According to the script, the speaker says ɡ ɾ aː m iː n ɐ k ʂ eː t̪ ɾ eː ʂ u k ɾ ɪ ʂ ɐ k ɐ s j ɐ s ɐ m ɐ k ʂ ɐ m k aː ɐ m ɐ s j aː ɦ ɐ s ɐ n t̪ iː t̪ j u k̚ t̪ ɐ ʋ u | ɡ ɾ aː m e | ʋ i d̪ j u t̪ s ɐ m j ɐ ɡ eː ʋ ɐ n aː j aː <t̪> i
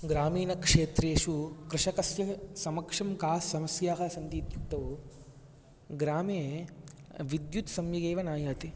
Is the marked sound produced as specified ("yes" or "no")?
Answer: yes